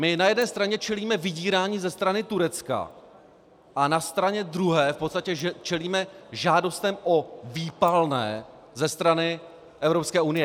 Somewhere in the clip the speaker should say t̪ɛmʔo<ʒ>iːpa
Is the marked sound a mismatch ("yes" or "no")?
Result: yes